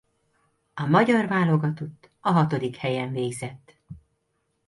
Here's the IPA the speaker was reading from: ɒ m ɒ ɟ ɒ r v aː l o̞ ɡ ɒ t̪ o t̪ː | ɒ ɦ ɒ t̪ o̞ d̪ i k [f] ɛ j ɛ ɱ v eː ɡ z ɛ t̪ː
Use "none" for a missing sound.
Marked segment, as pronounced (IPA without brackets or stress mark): h